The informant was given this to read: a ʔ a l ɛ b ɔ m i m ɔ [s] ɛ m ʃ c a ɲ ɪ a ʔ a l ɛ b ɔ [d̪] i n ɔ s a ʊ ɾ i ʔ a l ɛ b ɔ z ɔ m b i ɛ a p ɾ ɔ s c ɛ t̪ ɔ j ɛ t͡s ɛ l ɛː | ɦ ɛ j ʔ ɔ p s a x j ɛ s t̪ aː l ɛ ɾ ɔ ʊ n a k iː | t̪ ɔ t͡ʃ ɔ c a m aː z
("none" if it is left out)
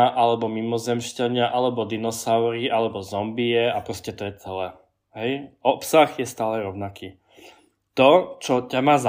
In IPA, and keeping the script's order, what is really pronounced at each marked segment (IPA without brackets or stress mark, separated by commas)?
z, d̪